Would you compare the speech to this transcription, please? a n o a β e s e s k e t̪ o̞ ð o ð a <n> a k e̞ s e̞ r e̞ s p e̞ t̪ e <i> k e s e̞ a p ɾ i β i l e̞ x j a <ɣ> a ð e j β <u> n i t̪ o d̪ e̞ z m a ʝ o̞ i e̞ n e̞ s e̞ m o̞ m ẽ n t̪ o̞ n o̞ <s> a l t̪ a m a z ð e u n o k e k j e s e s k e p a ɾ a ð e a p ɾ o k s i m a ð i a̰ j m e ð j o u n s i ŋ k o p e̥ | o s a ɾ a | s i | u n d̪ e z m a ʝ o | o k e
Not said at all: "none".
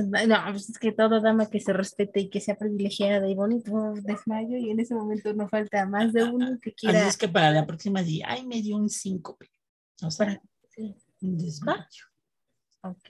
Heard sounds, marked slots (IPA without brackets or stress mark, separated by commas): m, i, ð, o, f